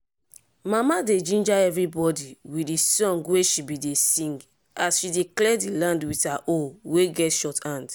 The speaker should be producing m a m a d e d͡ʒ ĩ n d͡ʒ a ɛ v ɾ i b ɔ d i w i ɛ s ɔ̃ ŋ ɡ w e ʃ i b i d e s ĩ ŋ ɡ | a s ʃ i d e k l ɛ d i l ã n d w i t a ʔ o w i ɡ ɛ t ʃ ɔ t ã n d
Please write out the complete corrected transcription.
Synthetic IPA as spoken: m a m a d e d͡ʒ ĩ n d͡ʒ a ɛ v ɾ i b ɔ d i w i i s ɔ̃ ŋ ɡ w e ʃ i b i d e s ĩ ŋ ɡ | a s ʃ i d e k l ɛ d i l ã n d w i t a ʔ o w e ɡ ɛ t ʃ ɔ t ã n d